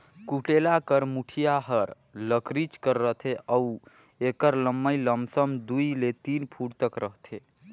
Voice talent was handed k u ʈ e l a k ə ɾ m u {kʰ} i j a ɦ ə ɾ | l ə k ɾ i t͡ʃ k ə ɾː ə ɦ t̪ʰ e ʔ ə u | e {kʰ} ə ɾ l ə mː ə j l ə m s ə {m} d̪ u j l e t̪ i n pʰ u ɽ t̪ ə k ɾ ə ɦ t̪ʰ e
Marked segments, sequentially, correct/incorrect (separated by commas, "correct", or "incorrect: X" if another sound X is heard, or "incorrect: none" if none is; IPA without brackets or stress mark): incorrect: ʈʰ, incorrect: k, correct